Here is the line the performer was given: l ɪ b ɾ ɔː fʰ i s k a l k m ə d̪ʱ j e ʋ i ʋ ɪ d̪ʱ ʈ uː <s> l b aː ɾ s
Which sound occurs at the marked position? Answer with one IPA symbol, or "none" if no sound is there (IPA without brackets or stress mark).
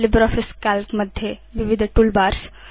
none